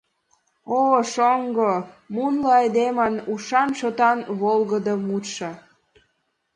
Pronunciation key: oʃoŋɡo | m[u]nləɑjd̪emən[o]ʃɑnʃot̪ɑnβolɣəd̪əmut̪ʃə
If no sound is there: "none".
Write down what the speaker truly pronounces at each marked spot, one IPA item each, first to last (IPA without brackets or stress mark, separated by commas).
u, u